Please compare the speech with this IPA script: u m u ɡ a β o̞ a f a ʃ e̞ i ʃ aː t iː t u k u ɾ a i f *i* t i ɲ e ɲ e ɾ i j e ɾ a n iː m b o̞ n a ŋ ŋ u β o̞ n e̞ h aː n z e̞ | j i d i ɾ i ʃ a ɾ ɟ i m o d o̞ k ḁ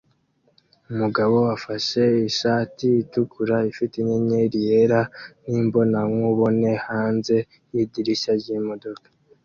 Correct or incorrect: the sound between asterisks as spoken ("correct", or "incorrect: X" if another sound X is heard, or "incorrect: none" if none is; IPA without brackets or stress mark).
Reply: correct